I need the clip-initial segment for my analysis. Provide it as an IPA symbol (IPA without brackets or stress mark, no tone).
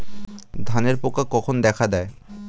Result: d̪ʱ